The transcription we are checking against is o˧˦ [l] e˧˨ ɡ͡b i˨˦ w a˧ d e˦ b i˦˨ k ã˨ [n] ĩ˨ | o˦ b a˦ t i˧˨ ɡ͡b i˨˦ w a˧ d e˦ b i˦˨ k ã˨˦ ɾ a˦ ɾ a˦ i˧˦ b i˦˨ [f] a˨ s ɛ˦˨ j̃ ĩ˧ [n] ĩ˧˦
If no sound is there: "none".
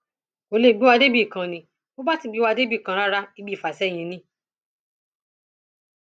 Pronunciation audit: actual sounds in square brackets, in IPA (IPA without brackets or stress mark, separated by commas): l, n, f, n